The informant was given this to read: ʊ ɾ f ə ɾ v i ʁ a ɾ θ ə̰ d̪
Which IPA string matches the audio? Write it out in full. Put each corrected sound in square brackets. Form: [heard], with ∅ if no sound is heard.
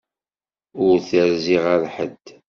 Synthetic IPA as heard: ʊ ɾ [θ] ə ɾ [z] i ʁ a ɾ [ħ] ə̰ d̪